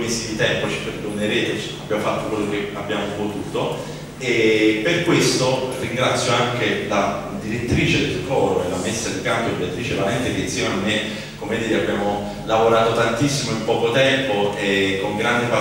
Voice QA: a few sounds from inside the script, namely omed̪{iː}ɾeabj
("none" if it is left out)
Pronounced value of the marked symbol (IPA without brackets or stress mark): iː